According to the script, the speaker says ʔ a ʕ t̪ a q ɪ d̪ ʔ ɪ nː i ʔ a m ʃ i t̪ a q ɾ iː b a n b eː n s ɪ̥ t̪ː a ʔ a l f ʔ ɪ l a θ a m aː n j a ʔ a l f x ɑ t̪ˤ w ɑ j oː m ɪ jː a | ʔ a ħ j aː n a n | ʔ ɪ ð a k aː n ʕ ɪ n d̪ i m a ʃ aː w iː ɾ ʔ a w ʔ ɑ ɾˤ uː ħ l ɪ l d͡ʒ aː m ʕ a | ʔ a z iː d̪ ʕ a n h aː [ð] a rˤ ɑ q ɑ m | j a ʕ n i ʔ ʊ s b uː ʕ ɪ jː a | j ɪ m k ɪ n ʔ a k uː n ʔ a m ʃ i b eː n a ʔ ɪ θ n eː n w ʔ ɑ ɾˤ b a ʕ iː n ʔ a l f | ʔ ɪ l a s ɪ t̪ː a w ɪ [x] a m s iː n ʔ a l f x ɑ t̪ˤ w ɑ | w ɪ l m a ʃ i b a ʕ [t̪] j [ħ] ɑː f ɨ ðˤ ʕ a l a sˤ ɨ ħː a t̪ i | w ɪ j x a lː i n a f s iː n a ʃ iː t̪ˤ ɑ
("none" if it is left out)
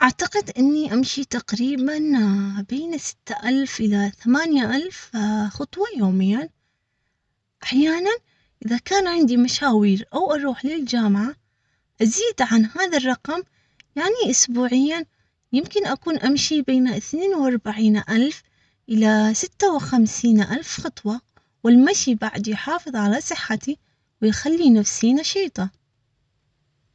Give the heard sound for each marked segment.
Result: ð, x, d̪, ħ

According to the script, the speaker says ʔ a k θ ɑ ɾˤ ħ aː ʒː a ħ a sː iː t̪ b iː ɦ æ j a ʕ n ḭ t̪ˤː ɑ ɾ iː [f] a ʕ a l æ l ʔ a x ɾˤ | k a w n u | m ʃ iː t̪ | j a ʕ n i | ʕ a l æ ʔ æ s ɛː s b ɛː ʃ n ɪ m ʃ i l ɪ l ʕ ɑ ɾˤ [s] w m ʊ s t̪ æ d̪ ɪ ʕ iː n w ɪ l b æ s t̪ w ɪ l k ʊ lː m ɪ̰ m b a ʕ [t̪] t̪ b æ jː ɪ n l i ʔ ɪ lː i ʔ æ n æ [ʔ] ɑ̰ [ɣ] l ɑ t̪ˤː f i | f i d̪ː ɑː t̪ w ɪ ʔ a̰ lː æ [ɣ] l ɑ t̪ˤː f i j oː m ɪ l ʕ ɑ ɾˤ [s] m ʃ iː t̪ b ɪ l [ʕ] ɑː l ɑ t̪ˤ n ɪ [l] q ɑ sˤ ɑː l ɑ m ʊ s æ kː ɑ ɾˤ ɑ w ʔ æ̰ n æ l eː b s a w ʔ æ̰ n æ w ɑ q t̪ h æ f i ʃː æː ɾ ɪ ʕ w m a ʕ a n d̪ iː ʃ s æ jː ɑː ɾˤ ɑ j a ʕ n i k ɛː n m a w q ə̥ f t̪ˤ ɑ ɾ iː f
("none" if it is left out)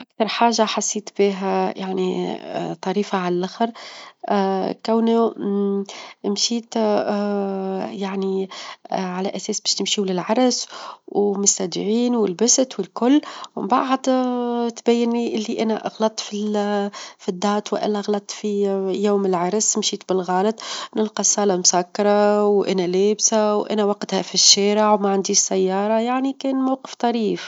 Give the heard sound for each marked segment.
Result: f, s, d̪, ʔ, ɣ, ɣ, s, ɣ, l

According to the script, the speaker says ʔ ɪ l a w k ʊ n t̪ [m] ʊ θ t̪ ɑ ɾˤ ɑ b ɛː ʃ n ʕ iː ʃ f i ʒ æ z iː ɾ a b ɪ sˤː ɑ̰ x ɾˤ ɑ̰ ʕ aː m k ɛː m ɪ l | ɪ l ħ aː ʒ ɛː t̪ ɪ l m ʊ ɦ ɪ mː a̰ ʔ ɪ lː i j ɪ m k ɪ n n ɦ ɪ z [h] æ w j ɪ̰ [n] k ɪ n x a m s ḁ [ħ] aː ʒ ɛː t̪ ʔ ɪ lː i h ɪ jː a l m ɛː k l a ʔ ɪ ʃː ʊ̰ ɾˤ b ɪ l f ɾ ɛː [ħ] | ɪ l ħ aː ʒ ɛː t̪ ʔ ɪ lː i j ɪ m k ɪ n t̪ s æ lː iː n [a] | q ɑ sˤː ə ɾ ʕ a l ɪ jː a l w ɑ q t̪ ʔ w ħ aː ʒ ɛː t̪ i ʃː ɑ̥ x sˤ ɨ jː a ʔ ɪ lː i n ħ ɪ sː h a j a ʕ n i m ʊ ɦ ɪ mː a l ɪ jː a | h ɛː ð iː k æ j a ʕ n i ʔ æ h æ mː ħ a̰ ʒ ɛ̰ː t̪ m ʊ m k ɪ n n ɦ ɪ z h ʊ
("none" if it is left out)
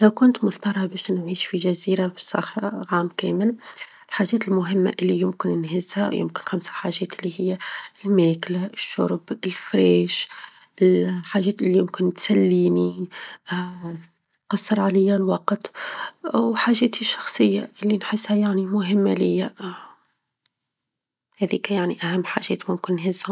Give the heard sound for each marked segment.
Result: m, h, m, ħ, ʃ, i

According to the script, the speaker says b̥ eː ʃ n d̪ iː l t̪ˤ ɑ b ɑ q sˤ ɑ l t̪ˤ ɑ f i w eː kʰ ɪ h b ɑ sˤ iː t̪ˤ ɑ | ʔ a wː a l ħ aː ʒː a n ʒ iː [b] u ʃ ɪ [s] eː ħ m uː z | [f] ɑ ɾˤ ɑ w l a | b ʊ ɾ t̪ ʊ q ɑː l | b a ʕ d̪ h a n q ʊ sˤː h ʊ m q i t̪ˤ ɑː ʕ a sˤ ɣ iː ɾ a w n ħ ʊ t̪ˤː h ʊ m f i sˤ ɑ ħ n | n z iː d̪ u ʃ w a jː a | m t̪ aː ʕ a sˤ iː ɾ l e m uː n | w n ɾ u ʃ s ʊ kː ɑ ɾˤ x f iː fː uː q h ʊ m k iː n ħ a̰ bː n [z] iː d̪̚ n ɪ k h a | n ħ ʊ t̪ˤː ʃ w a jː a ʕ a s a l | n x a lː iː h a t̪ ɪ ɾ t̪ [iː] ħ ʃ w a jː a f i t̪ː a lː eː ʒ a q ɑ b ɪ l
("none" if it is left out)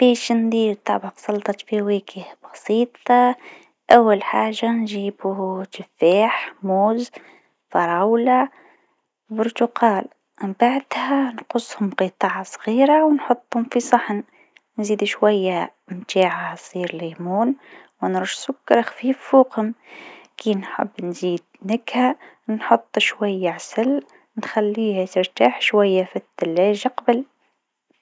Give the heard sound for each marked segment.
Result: b, f, f, z, aː

